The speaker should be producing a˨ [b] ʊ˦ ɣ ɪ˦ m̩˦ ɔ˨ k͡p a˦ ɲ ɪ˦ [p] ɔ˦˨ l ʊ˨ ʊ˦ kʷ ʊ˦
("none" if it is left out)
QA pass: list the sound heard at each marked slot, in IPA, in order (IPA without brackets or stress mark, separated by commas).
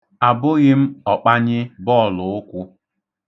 b, b